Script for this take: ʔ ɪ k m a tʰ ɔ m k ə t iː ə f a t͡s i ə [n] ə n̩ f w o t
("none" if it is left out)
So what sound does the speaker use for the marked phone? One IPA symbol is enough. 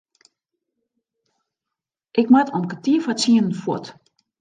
n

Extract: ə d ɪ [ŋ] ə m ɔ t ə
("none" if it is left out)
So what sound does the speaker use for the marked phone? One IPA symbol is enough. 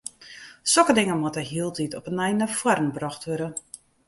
ŋ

